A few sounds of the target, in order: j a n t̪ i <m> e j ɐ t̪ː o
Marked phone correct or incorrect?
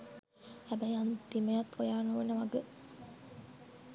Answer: correct